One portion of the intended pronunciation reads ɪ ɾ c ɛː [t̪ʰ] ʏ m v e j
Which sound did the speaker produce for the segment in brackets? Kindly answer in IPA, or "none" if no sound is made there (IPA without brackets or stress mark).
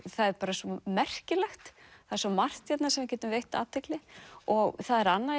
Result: t̪